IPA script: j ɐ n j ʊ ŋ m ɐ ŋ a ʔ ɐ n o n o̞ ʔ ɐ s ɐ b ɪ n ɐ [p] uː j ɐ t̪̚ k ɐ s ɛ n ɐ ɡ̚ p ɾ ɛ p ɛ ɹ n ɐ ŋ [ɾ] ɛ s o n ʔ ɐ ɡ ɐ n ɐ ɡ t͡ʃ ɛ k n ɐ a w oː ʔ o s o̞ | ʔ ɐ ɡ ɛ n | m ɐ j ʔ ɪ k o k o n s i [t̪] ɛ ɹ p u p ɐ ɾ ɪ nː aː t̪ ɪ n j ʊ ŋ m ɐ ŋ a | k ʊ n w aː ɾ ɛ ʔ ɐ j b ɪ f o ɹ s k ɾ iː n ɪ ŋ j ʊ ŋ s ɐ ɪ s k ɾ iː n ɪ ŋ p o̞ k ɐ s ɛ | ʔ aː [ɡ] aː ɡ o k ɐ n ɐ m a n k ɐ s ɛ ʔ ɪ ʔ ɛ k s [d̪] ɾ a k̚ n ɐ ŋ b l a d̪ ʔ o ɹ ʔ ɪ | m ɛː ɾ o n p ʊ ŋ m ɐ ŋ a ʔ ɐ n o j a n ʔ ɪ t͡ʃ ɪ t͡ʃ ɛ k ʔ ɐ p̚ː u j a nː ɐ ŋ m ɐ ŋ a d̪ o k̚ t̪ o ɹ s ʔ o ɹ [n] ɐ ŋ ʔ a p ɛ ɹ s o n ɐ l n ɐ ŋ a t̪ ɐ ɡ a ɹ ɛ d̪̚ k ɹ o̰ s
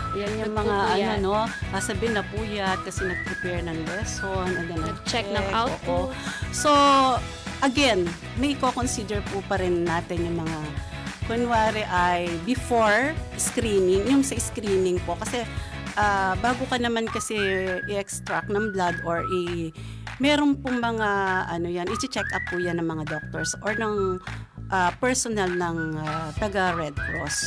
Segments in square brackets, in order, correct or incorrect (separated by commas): correct, incorrect, incorrect, incorrect, incorrect, correct